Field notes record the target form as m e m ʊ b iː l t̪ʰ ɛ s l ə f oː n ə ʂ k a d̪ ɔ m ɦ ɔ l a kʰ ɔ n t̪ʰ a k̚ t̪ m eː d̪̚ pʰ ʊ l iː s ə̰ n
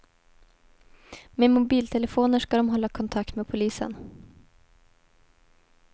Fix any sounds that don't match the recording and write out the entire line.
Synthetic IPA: m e m ʊ b iː l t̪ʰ ɛ l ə f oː n ə ʂ k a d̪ ɔ m ɦ ɔ lː a kʰ ɔ n t̪ʰ a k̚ t̪ m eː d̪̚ pʰ ʊ l iː s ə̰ n